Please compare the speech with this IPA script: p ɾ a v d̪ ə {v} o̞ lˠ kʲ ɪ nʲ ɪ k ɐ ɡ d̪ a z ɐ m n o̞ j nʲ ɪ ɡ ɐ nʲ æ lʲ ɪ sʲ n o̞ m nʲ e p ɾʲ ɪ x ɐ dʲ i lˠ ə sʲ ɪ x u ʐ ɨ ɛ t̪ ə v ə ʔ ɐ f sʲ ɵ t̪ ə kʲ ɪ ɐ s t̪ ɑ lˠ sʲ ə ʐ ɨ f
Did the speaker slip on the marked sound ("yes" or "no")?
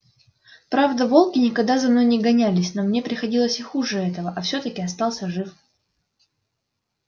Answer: no